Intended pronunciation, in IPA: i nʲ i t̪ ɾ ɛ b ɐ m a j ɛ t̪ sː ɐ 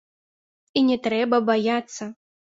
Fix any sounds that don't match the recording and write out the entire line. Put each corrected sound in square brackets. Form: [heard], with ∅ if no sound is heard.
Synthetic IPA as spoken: i nʲ [ɛ] t̪ ɾ ɛ b ɐ [b] a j [a] t̪ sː ɐ